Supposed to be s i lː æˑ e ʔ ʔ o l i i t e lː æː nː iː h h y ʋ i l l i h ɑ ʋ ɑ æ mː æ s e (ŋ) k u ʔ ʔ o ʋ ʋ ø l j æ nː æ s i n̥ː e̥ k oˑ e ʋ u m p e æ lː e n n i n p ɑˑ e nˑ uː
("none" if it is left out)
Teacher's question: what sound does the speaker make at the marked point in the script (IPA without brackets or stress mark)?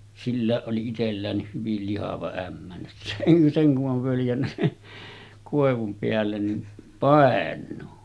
ŋ